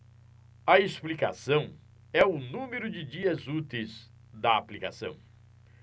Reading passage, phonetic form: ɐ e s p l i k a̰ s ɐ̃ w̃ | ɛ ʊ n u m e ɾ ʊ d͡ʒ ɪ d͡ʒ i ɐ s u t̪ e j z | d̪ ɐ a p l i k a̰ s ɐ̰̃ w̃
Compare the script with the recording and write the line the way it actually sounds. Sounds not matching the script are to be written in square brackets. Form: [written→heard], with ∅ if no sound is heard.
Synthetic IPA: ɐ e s p l i k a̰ s ɐ̃ w̃ | ɛ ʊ n [u→ũ] m e ɾ ʊ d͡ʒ ɪ d͡ʒ i ɐ [s→z] u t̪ e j z | d̪ ɐ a p l i k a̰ s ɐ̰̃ w̃